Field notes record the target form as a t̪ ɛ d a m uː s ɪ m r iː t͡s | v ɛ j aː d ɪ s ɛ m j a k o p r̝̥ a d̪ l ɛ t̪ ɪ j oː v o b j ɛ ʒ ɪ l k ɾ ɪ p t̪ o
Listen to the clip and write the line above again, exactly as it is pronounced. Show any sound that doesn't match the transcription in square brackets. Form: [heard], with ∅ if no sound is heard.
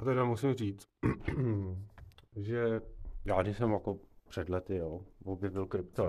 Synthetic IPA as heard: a t̪ ɛ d a m [u] s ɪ m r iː t͡s | [ʒ] ɛ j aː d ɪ s ɛ m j a k o p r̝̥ [ɛ] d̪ l ɛ t̪ ɪ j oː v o b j ɛ [v] ɪ l k ɾ ɪ p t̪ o